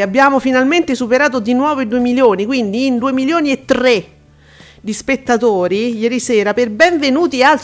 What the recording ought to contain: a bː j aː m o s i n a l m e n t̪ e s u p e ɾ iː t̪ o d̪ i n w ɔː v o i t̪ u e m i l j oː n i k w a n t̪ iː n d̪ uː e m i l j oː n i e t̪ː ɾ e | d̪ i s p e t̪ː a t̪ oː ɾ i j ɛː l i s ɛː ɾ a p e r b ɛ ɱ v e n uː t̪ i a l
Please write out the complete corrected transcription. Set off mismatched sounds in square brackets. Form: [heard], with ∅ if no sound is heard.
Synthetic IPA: a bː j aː m o [f] i n a l m e n t̪ e s u p e ɾ [aː] t̪ o d̪ i n w ɔː v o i [d̪] u e m i l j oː n i k w [i] n [d̪] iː n d̪ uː e m i l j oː n i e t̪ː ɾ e | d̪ i s p e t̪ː a t̪ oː ɾ i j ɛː [ɾ] i s ɛː ɾ a p e r b ɛ ɱ v e n uː t̪ i a l